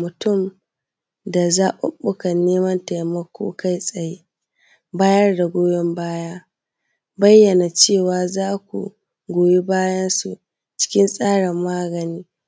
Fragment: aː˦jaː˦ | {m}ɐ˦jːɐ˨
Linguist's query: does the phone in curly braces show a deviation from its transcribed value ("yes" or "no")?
yes